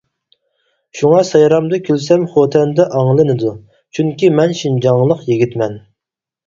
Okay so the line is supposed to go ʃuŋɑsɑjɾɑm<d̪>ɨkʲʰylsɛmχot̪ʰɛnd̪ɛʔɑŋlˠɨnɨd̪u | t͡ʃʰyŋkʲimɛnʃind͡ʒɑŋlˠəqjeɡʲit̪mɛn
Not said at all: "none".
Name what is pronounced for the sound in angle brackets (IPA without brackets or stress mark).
d̪